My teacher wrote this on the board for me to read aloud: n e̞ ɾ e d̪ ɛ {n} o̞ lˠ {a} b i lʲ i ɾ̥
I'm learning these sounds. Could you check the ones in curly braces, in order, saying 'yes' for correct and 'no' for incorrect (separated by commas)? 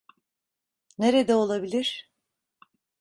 no, yes